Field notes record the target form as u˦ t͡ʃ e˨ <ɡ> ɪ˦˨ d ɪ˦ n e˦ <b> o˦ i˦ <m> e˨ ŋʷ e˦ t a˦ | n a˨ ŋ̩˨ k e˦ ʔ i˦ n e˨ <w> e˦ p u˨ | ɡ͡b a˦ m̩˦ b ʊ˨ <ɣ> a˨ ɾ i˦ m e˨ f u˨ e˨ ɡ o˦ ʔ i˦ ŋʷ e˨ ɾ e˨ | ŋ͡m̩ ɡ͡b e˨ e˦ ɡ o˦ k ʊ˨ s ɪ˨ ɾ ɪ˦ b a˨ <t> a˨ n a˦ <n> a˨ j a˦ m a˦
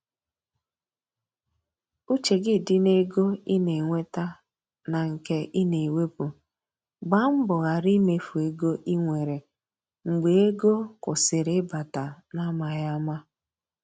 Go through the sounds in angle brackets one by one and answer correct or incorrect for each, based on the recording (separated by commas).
correct, incorrect, incorrect, correct, correct, correct, incorrect